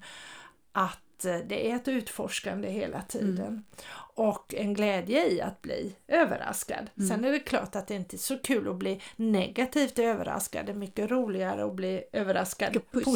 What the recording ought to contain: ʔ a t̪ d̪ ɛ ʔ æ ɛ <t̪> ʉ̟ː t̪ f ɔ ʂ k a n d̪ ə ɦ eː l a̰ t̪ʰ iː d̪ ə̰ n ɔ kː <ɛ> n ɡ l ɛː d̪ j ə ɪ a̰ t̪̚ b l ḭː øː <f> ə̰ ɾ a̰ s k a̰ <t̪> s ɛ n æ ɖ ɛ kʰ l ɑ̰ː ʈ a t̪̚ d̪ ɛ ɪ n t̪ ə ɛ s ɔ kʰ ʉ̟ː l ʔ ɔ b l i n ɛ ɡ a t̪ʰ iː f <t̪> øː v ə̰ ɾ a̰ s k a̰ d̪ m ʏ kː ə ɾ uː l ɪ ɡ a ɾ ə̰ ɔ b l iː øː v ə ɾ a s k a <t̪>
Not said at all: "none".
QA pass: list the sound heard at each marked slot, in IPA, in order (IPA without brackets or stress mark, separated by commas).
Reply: t̪, ɛ, v, d̪, t̪, d̪